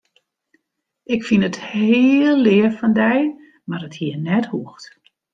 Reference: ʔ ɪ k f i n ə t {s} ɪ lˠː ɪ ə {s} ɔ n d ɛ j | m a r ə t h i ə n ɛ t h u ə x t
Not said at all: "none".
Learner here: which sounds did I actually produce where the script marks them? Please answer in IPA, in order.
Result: h, f

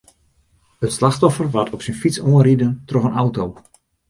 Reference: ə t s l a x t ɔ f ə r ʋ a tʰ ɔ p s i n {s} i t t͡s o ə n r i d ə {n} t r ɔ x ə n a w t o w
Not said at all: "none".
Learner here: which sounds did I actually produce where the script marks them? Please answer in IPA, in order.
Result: f, n

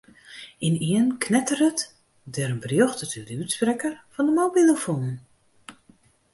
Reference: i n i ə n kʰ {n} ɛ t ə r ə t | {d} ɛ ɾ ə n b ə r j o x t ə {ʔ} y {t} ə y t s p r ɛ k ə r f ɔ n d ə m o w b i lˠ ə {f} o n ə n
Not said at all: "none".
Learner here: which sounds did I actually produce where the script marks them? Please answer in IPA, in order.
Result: n, d, t, d, f

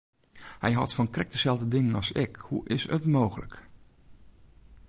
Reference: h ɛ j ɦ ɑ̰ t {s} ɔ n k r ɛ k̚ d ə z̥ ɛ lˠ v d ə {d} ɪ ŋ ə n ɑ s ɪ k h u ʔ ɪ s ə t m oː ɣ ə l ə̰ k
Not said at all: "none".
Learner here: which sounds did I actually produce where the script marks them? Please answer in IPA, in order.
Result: f, d

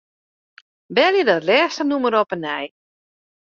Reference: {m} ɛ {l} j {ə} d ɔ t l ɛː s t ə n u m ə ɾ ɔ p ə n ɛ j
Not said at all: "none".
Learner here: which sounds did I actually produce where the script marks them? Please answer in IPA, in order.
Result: b, l, ə

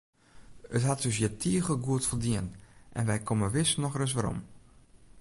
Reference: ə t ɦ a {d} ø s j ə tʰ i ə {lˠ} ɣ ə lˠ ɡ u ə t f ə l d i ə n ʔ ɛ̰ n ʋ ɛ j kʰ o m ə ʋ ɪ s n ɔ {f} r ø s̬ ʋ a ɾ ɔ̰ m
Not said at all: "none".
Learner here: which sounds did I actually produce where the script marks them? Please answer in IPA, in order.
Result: t, none, x

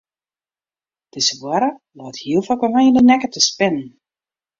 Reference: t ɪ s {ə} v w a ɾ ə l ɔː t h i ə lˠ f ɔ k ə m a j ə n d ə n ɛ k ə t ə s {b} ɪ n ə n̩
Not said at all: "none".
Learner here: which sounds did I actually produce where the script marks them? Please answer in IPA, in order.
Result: ə, p

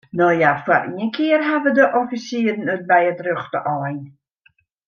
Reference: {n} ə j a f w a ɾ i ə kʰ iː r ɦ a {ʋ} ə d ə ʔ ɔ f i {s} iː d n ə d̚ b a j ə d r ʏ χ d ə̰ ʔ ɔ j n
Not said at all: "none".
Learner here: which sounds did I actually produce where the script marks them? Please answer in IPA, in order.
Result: n, v, s

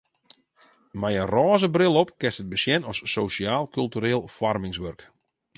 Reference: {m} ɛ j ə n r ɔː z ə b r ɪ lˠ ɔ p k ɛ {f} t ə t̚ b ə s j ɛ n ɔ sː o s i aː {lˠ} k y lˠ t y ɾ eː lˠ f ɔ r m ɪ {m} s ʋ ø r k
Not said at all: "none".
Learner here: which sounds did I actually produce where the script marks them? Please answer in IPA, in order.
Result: m, s, lˠ, ŋ

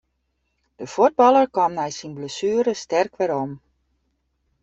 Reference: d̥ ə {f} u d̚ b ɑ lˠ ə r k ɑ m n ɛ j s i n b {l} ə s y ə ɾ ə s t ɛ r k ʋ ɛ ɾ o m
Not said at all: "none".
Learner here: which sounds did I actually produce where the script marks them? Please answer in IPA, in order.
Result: f, l

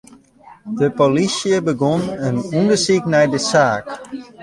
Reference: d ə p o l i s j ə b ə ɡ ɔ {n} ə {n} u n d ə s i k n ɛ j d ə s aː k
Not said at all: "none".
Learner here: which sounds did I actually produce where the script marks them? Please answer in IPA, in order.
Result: n, n

